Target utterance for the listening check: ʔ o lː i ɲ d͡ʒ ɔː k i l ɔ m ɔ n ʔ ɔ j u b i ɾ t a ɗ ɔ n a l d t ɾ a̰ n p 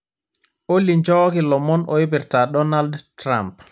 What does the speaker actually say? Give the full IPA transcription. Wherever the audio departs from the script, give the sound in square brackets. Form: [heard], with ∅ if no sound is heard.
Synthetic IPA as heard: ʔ o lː i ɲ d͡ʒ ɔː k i l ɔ m ɔ n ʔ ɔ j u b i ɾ t a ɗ ɔ n a l d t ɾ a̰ [m] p